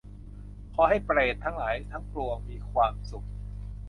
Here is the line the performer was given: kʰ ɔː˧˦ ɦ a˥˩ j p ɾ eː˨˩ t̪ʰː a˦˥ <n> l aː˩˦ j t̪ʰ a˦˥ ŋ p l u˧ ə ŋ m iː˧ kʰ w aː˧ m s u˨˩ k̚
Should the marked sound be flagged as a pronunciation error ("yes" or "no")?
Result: yes